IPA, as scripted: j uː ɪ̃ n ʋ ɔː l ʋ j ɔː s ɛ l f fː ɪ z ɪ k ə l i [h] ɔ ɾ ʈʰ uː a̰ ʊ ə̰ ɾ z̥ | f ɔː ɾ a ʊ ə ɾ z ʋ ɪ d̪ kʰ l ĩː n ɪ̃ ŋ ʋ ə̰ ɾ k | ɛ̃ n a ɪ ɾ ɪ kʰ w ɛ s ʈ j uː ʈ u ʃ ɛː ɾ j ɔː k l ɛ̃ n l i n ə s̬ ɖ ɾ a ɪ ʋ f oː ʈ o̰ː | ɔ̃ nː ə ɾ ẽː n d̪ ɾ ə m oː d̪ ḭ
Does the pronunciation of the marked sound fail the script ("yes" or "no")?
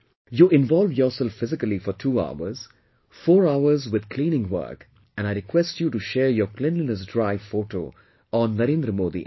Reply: yes